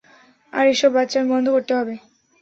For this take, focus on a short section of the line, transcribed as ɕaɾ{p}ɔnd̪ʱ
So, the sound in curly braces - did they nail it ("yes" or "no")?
no